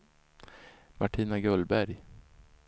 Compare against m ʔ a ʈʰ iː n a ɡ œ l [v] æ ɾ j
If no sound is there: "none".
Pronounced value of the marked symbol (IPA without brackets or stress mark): b